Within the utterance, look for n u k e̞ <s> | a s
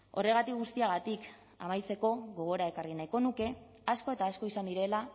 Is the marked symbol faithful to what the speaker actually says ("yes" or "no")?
no